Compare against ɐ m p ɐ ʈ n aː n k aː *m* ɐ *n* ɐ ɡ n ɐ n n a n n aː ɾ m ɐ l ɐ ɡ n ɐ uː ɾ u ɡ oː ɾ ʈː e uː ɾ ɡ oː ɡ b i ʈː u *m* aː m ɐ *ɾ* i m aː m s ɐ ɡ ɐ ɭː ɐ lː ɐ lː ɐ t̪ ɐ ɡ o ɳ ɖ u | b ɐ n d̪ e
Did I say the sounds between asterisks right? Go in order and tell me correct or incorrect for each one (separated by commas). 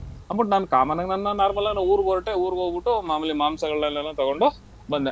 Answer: correct, correct, correct, incorrect